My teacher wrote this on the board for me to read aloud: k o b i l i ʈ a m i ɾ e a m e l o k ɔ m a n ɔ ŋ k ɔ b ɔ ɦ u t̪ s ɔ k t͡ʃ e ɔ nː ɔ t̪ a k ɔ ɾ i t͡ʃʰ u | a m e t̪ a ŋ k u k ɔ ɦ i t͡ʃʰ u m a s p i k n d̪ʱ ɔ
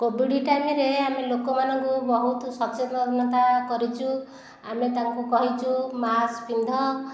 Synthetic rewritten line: k o b i ɽ i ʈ a m i ɾ e a m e l o k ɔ m a n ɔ ŋ k u b ɔ ɦ u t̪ s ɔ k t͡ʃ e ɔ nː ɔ t̪ a k ɔ ɾ i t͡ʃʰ u | a m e t̪ a ŋ k u k ɔ ɦ i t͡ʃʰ u m a s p i n d̪ʱ ɔ